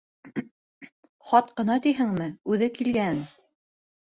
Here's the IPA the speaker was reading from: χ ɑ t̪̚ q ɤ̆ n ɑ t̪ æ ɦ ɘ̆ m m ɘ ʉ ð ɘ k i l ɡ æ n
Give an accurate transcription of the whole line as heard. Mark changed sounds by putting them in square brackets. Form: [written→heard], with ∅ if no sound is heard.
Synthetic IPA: χ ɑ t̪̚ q ɤ̆ n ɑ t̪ [æ→i] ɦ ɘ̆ [m→ŋ] m ɘ ʉ ð ɘ k i l ɡ æ n